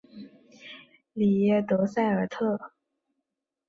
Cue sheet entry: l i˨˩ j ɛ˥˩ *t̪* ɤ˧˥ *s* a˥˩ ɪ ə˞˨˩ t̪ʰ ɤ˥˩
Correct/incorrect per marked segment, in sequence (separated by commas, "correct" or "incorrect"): correct, correct